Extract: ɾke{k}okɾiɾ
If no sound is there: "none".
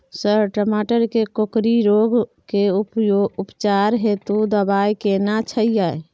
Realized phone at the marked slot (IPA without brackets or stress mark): k